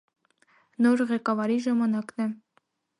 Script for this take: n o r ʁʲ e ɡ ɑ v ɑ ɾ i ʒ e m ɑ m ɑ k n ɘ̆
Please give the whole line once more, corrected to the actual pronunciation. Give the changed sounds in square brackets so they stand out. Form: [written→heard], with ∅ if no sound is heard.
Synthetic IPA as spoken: n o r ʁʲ e [ɡ→k] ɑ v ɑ ɾ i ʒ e m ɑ [m→n] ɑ k n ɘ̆